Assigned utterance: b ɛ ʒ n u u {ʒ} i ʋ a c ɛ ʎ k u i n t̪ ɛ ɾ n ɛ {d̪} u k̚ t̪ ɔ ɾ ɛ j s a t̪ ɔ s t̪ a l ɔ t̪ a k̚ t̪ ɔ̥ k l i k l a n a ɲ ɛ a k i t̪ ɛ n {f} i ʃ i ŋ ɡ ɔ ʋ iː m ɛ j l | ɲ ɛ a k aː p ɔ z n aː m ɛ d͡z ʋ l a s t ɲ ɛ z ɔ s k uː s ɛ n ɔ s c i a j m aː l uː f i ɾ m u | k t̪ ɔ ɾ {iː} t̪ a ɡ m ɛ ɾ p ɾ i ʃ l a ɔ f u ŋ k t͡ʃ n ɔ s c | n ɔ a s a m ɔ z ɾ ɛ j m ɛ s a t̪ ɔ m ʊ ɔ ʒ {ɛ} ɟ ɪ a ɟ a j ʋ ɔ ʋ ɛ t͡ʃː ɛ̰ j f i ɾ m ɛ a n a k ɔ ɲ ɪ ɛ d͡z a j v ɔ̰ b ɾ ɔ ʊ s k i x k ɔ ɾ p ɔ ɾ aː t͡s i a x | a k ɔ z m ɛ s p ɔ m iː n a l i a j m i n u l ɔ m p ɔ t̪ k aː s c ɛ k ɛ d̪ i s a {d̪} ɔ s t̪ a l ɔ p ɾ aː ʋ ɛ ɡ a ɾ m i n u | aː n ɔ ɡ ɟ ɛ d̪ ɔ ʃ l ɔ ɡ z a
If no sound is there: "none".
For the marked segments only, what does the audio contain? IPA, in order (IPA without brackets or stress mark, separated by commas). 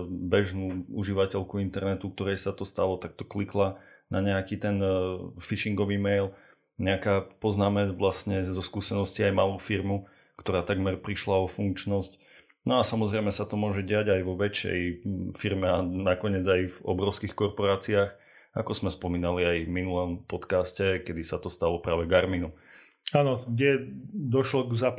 ʒ, t̪, f, aː, ɛ, t̪